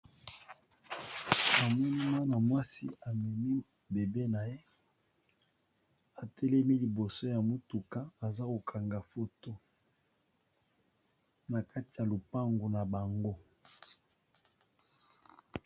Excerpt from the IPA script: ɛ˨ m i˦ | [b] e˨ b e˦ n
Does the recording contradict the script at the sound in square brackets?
no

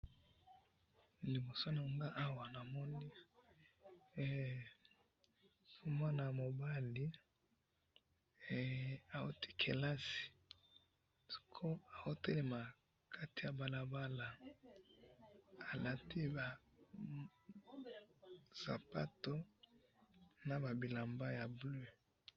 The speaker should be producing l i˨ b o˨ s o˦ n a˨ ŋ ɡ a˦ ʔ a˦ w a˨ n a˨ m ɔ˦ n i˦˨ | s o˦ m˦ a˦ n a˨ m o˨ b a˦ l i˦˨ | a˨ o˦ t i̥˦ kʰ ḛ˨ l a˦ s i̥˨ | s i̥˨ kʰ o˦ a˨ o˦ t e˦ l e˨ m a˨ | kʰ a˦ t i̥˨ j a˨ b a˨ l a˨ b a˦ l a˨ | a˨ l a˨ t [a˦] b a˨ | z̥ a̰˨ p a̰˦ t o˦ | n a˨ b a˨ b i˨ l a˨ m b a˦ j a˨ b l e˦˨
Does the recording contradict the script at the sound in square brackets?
yes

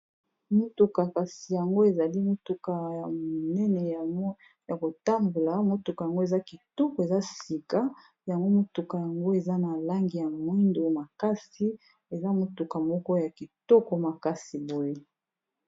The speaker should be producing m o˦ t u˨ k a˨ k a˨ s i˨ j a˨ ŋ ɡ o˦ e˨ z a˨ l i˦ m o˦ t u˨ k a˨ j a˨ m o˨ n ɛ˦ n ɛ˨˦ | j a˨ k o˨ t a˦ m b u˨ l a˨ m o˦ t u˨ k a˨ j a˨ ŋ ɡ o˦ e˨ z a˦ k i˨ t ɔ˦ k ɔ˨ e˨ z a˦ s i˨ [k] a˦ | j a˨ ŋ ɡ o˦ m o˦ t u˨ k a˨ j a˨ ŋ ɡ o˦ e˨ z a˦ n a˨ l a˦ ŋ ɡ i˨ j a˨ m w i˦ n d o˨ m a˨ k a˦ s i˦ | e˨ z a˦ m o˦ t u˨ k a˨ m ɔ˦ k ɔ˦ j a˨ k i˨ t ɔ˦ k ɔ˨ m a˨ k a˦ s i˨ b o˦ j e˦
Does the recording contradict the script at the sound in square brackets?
no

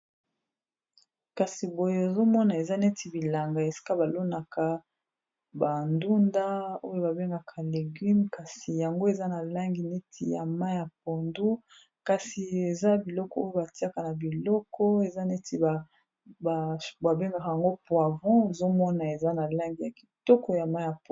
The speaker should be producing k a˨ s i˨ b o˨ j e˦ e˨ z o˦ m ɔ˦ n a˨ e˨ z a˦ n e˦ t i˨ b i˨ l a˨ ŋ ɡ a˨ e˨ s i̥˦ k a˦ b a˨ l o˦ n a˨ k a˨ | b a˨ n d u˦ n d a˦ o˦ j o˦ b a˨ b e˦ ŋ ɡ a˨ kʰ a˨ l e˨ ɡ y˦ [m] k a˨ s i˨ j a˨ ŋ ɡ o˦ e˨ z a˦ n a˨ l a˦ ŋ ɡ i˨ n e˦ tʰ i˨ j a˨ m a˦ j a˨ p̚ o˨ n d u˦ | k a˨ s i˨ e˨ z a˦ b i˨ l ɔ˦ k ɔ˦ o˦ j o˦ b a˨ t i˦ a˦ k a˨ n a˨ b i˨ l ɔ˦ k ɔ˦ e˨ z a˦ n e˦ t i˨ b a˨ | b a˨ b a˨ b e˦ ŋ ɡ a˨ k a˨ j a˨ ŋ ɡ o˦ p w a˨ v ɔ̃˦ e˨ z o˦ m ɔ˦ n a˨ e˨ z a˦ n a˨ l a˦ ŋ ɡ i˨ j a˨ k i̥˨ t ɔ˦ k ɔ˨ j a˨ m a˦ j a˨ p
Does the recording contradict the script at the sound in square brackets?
no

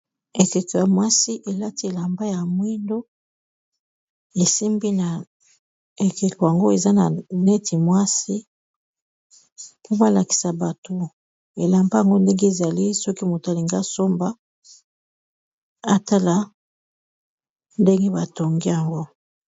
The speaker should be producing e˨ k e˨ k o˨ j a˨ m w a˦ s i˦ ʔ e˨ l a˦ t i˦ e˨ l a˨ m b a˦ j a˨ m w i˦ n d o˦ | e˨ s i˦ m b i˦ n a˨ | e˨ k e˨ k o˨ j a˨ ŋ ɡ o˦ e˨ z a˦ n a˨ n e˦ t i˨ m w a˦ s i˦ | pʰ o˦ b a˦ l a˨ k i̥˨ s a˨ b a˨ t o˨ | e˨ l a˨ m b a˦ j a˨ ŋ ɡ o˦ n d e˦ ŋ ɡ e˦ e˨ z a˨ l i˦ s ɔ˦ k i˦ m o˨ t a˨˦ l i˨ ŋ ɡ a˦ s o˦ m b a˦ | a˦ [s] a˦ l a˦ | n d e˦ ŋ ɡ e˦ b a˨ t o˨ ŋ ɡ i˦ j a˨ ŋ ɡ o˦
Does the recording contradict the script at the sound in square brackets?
yes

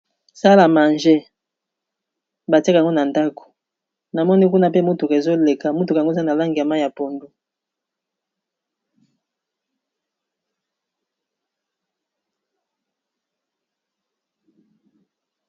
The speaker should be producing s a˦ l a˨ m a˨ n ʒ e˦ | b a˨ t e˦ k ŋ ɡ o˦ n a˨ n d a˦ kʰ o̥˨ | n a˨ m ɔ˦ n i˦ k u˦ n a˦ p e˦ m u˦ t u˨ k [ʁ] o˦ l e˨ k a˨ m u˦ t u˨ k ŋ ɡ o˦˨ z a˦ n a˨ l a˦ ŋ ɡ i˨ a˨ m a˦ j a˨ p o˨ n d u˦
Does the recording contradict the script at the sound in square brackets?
yes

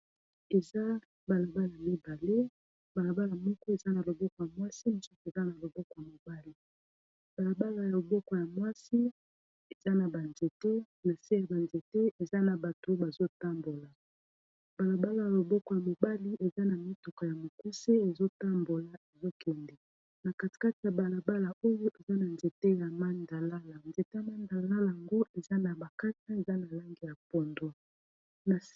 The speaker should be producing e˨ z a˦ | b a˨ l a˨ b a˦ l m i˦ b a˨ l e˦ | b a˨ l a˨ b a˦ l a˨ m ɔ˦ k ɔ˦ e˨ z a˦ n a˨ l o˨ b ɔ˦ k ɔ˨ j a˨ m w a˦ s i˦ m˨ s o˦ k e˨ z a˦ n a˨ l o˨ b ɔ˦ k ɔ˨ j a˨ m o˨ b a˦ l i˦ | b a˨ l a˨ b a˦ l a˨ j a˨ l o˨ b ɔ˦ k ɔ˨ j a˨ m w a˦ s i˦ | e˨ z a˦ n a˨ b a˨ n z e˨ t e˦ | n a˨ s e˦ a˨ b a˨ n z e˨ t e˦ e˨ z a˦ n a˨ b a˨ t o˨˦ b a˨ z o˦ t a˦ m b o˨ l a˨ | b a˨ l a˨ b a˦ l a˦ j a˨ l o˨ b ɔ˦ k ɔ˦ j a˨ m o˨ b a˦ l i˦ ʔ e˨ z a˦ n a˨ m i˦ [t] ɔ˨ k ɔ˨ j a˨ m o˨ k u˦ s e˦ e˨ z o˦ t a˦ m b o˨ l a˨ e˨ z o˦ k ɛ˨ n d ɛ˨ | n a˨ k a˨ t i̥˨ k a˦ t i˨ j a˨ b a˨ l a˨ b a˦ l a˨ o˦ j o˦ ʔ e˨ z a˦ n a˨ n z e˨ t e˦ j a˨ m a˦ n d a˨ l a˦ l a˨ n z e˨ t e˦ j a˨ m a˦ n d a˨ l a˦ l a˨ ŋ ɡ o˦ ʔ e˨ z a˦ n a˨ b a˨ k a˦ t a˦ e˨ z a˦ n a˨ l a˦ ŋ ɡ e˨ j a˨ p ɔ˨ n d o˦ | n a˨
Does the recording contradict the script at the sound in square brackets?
no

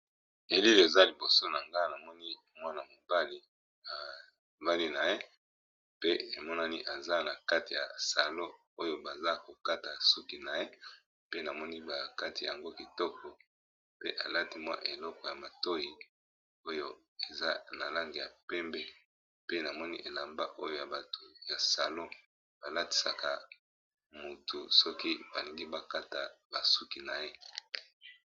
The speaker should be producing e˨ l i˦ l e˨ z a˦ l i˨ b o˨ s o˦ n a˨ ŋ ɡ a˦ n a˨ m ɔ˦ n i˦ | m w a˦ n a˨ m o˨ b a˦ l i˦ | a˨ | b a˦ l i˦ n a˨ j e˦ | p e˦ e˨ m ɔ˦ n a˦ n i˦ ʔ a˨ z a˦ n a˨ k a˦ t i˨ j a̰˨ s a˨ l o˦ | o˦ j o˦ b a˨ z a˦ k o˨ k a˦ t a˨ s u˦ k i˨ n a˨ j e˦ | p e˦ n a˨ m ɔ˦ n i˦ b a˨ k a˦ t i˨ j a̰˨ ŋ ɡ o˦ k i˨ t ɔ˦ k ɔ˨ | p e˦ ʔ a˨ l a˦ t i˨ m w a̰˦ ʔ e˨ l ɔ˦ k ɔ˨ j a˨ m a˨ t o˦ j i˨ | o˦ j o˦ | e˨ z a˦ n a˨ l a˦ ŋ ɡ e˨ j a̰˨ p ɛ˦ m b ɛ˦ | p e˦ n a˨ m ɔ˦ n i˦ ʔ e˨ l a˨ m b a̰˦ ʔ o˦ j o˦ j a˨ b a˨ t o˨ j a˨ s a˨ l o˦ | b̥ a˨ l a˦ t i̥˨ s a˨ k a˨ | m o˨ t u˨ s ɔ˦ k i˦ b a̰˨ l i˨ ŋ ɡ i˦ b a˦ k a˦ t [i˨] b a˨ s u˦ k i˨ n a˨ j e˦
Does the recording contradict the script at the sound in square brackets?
yes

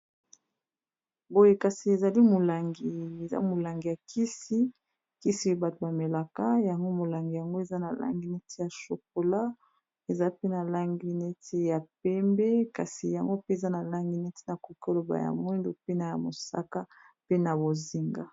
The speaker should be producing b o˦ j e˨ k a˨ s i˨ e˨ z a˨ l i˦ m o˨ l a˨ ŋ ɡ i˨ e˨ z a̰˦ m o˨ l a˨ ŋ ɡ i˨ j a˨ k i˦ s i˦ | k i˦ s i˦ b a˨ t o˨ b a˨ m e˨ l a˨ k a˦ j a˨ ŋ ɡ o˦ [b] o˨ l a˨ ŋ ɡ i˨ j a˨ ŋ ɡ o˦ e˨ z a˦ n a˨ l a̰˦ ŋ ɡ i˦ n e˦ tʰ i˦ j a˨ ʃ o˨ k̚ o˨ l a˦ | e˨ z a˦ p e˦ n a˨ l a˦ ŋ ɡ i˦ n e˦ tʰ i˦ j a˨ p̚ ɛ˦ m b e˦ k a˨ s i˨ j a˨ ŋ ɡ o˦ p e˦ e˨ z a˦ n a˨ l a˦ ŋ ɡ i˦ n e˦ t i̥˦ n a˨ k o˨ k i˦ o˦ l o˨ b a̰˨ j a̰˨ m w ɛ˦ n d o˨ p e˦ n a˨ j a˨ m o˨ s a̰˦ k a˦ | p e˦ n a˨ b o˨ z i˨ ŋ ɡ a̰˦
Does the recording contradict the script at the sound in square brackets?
yes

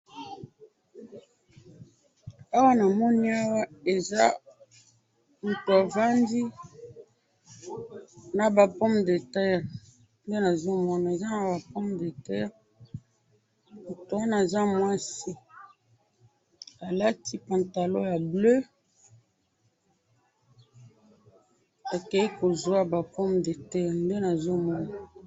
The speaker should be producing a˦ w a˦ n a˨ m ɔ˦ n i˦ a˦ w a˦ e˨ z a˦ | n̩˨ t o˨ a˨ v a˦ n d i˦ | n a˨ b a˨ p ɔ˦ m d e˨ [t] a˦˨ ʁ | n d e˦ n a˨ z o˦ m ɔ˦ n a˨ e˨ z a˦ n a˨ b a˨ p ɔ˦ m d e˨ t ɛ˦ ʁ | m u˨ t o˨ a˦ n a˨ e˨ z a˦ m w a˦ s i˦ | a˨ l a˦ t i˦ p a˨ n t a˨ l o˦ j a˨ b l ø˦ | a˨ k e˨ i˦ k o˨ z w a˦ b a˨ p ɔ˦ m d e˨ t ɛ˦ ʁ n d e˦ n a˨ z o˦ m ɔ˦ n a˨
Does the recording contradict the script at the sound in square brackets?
no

